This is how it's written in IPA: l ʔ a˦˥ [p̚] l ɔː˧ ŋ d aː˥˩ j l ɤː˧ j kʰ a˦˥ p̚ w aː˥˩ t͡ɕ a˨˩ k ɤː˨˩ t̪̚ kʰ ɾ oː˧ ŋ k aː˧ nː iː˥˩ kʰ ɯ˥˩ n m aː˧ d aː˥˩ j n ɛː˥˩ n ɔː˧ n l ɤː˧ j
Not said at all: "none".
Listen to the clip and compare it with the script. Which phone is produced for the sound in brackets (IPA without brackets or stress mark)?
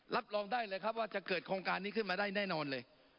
p̚